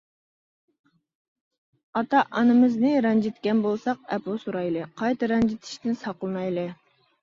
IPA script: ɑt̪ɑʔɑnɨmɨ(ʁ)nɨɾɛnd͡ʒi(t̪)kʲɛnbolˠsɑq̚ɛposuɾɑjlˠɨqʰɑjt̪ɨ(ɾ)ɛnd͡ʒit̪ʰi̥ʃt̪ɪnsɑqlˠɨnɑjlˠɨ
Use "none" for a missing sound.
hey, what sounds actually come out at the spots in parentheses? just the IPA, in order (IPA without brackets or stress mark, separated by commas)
z, t̪, ɾ